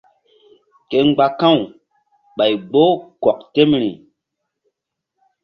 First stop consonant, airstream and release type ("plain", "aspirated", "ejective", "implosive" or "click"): plain